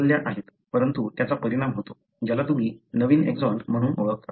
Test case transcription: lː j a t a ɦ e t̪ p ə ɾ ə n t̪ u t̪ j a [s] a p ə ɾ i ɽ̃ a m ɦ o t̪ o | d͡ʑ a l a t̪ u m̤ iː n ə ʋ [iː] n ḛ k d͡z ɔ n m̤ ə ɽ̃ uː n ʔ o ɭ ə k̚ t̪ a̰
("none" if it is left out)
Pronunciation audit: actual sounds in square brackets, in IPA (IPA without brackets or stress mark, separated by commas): t͡s, iː